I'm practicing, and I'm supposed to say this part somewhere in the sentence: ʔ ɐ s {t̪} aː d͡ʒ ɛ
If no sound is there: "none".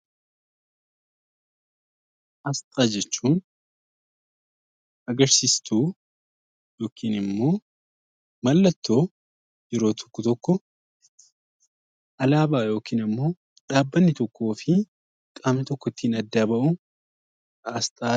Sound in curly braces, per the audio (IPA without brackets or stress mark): t̪ʼ